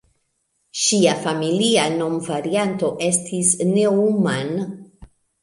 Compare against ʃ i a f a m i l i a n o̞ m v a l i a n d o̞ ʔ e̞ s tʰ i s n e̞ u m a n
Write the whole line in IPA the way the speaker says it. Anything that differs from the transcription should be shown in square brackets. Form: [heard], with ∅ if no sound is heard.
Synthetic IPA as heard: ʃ i a f a m i l i a n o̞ m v a [ɾ] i a n [t] o̞ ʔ e̞ s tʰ i s n e̞ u m a n